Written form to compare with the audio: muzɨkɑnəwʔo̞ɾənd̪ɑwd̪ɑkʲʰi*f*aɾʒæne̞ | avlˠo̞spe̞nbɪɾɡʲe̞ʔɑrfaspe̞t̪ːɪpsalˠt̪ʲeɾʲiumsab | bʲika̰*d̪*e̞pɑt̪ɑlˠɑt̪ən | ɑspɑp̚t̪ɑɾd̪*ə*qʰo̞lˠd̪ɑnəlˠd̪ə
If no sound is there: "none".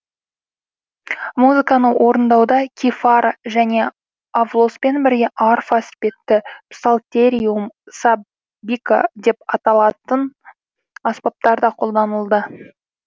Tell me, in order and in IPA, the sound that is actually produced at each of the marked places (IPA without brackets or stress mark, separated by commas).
f, d̪, ɑ